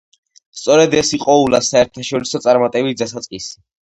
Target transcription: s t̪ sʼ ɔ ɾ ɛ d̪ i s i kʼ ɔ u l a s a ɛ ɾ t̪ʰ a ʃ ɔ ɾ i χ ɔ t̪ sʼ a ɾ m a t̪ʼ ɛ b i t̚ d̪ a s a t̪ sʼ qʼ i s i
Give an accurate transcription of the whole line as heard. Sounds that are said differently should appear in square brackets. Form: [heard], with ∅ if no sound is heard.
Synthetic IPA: s t̪ sʼ ɔ ɾ ɛ d̪ [ɛ] s i [qʼ] ɔ u l a s a ɛ ɾ t̪ʰ a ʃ ɔ ɾ i [s] ɔ t̪ sʼ a ɾ m a t̪ʼ ɛ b i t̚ d̪ a s a t̪ sʼ qʼ i s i

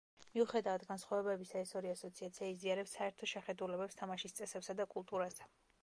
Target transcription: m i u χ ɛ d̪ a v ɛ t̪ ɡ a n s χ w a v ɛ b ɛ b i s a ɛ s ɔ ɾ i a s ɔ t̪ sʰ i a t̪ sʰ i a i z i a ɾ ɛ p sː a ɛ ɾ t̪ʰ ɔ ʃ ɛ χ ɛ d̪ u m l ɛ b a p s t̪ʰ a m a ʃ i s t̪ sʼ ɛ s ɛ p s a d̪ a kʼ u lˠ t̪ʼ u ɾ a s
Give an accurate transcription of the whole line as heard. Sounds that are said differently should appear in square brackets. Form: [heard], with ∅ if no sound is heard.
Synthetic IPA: m i u χ ɛ d̪ a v [a] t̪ ɡ a n s χ w a v ɛ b ɛ b i s a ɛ s ɔ ɾ i a s ɔ t̪ sʰ i a t̪ sʰ i a i z i a ɾ ɛ p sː a ɛ ɾ t̪ʰ ɔ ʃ ɛ χ ɛ d̪ u [∅] l ɛ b [ɛ] p s t̪ʰ a m a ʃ i s t̪ sʼ ɛ s ɛ p s a d̪ a kʼ u lˠ t̪ʼ u ɾ a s

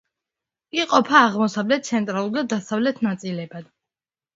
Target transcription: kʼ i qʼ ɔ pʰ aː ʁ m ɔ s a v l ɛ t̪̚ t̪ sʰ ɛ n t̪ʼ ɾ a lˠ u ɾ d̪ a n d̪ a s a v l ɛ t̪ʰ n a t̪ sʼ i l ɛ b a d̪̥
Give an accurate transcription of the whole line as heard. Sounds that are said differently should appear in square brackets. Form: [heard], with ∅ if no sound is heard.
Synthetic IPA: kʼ i qʼ ɔ pʰ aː ʁ m ɔ s a v l ɛ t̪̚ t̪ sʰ ɛ n t̪ʼ ɾ a lˠ u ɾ d̪ a [∅] d̪ a s a v l ɛ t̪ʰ n a t̪ sʼ i l ɛ b a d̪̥

